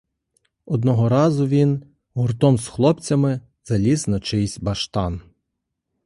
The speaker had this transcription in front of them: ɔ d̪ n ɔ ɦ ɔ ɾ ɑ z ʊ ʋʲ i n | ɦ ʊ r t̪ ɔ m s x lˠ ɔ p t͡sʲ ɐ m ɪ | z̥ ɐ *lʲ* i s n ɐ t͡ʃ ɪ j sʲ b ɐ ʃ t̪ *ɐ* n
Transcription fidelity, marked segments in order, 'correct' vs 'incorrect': correct, incorrect: ɑ

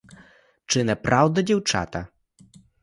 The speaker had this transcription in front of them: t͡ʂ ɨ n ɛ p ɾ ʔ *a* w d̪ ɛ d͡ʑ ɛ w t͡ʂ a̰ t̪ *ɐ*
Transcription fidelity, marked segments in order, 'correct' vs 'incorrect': correct, incorrect: a

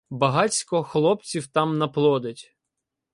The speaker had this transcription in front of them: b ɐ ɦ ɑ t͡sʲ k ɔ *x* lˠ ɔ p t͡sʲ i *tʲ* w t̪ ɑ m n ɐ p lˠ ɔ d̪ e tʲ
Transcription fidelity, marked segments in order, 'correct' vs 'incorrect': correct, incorrect: none

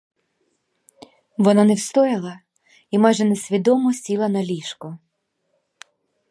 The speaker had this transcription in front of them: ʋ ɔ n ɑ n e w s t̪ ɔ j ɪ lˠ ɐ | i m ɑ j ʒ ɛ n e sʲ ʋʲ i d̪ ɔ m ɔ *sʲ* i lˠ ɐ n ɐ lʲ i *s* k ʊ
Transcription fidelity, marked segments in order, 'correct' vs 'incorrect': correct, incorrect: ʃ

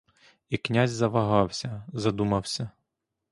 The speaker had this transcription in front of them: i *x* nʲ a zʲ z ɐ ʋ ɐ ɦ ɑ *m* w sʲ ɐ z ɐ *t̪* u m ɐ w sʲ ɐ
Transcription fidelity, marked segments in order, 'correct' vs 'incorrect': incorrect: k, incorrect: none, incorrect: d̪

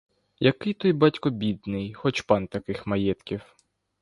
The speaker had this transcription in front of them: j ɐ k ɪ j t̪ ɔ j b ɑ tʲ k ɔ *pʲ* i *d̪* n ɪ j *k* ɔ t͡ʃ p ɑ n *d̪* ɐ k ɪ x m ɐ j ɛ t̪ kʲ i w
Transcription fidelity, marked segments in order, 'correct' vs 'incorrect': incorrect: bʲ, correct, incorrect: x, incorrect: t̪

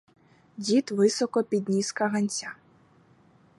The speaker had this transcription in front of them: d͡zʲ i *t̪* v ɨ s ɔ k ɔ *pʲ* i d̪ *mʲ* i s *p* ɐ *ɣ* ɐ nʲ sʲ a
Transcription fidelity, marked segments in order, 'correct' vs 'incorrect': correct, correct, incorrect: nʲ, incorrect: k, correct

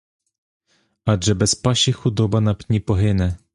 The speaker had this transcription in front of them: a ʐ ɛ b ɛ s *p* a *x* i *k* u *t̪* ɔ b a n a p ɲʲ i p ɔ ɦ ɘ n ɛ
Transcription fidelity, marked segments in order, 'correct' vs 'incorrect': correct, incorrect: ɕ, incorrect: x, incorrect: d̪

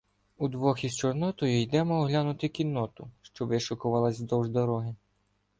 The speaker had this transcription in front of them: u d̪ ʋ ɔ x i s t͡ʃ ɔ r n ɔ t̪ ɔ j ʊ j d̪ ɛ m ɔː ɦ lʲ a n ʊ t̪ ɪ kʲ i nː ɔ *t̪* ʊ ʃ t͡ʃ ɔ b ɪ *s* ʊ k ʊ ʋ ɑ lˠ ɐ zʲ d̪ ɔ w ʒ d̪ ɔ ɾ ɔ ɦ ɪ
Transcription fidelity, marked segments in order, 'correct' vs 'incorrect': correct, incorrect: ʃ

